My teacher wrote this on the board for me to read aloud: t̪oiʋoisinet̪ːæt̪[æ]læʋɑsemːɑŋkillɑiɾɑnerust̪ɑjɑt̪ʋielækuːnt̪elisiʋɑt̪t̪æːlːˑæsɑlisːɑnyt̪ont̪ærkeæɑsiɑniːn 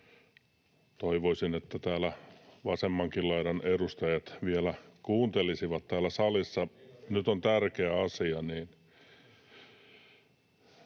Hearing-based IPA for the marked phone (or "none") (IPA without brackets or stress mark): æː